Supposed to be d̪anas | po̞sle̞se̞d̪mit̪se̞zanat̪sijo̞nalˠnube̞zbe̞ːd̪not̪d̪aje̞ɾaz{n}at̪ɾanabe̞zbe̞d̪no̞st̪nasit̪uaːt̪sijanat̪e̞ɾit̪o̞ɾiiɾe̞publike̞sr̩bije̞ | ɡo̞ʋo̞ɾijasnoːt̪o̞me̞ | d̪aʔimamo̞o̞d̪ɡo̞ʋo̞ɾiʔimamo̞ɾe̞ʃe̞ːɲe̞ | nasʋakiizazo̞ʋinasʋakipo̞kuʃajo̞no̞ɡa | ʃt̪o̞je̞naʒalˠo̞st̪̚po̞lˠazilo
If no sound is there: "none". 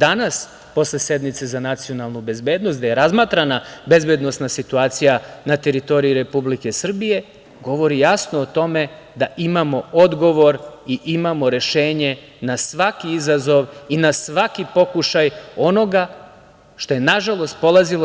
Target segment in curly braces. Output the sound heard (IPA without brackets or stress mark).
m